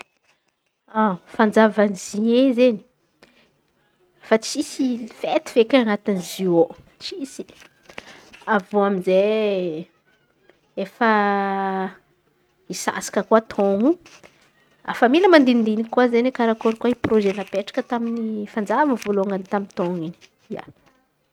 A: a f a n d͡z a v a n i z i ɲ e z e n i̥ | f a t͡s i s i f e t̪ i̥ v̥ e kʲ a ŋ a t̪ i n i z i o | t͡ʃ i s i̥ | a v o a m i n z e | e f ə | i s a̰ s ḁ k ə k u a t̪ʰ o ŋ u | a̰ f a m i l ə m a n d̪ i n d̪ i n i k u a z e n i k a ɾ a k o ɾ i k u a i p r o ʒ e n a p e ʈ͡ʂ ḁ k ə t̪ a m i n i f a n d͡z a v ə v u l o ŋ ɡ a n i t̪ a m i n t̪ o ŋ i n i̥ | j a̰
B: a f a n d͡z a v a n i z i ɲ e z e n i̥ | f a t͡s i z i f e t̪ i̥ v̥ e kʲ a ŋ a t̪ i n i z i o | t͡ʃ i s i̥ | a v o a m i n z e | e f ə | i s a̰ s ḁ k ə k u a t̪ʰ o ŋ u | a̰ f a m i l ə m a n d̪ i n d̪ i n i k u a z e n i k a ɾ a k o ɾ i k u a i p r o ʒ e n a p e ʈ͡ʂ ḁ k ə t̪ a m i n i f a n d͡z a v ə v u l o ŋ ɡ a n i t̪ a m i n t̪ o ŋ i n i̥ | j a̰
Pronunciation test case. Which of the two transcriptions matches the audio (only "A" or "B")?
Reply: A